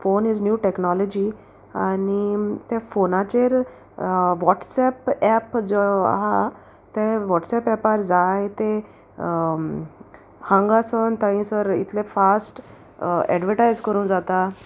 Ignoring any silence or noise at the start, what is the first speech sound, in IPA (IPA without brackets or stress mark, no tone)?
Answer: f